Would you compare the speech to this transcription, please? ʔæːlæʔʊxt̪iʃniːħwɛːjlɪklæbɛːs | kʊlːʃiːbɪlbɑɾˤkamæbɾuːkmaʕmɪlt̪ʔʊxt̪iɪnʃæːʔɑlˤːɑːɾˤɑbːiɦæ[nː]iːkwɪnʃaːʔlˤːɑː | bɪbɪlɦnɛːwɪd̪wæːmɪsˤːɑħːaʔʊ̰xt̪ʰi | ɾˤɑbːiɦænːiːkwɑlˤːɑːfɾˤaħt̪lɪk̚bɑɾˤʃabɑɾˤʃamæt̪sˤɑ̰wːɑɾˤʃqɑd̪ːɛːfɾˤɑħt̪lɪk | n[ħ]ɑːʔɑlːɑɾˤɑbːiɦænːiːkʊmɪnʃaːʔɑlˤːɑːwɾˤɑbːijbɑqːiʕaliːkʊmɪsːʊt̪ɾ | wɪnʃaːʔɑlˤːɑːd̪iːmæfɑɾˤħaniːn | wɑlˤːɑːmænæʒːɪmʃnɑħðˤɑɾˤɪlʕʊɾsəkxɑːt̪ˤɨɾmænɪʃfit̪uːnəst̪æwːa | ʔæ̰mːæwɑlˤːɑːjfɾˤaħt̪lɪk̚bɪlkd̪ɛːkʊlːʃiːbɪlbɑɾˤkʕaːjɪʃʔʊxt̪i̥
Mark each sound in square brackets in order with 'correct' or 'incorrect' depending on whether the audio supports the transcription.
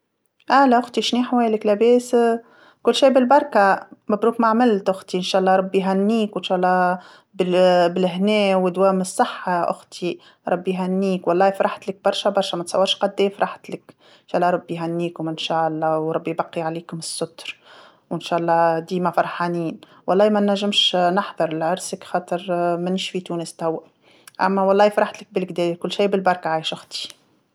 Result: correct, incorrect: ʃ

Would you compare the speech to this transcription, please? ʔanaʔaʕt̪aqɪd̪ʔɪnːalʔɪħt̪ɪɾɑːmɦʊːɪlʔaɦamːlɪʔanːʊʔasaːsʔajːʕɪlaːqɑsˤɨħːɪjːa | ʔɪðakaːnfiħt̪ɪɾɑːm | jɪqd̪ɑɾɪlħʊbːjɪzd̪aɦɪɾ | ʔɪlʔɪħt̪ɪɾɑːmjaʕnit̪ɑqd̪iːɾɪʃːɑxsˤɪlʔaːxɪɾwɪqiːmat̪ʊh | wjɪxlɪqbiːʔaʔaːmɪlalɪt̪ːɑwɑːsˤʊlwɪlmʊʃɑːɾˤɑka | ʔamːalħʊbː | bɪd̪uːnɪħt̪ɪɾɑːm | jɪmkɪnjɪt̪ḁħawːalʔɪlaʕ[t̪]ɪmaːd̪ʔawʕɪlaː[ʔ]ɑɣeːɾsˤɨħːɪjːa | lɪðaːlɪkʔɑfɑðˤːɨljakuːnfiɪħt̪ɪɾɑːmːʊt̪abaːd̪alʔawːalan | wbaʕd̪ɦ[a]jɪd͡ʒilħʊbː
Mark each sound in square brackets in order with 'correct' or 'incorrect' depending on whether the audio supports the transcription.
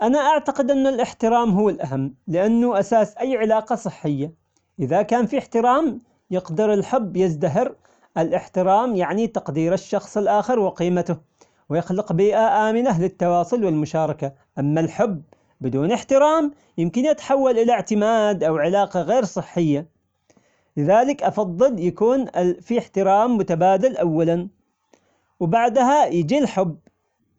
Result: correct, incorrect: q, correct

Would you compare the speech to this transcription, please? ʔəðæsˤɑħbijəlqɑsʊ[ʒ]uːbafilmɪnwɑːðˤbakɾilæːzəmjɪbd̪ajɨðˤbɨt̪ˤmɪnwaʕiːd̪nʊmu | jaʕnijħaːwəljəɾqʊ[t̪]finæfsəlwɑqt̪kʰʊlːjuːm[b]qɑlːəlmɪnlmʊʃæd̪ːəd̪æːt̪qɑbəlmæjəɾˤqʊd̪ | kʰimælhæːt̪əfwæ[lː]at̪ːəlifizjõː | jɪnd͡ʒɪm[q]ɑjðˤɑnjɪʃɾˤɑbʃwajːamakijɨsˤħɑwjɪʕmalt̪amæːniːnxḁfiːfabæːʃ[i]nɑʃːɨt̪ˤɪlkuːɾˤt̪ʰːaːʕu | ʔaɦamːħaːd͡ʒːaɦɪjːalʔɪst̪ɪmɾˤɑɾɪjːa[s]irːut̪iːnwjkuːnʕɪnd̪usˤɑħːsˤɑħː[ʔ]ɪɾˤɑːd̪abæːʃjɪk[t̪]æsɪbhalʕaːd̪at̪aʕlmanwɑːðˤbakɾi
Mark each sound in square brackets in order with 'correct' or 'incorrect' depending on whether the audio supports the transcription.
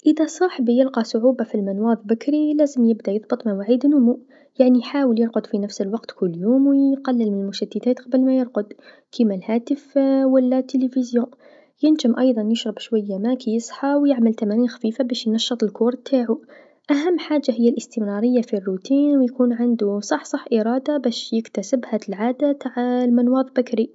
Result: incorrect: ʕ, incorrect: d̪, incorrect: w, correct, incorrect: ʔ, incorrect: j, incorrect: f, correct, correct

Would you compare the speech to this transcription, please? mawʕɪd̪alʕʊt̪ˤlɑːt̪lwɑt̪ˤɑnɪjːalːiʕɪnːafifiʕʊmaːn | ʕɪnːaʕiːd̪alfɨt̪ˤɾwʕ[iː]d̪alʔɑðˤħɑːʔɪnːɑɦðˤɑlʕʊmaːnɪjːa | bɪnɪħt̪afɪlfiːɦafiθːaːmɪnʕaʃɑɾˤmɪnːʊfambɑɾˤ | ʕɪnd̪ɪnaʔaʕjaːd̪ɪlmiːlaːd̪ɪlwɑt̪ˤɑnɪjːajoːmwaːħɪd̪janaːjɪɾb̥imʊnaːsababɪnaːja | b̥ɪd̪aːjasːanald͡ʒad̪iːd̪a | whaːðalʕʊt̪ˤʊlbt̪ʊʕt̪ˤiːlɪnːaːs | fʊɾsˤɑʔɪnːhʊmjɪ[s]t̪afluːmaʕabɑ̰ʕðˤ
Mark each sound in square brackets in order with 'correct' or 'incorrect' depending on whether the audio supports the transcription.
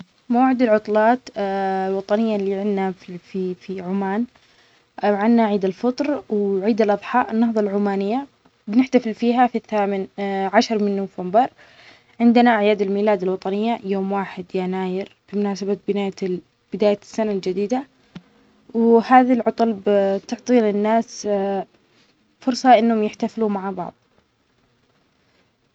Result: correct, incorrect: ħ

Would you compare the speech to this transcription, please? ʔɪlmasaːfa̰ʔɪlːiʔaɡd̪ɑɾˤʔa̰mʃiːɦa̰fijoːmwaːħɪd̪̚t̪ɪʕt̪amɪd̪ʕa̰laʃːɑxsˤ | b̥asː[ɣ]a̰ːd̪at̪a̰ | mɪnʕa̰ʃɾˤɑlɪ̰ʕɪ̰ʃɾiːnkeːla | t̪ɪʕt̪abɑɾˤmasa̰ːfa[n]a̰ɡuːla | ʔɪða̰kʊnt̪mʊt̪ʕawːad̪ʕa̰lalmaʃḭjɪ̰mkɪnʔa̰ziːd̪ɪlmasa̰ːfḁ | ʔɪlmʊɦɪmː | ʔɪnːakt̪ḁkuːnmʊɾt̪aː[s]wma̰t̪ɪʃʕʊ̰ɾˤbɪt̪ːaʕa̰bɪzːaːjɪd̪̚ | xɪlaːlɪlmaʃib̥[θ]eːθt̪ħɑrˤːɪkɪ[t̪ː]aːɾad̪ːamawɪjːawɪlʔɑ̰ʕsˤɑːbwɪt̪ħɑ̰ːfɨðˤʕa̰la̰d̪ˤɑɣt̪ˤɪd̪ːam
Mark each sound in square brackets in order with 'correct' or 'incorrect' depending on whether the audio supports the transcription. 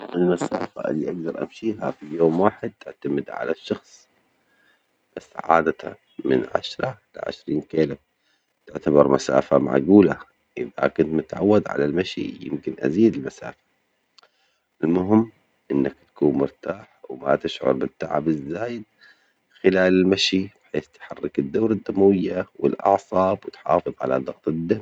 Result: incorrect: ʕ, incorrect: m, incorrect: ħ, incorrect: ħ, incorrect: d̪ː

